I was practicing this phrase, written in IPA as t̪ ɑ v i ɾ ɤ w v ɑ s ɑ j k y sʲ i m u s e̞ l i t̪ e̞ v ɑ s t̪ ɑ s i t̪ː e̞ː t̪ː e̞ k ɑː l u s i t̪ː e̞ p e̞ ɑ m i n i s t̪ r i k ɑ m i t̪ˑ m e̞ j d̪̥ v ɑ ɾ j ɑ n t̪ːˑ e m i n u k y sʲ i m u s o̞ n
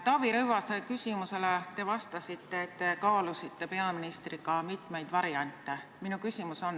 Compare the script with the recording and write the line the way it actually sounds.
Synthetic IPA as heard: t̪ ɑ v i ɾ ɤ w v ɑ s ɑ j k y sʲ i m u s e̞ l e t̪ e̞ v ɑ s t̪ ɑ s i t̪ː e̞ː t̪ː e̞ k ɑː l u s i t̪ː e̞ p e̞ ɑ m i n i s t̪ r i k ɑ m i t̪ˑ m e̞ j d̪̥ v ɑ ɾ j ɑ n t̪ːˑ e m i n u k y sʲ i m u s o̞ n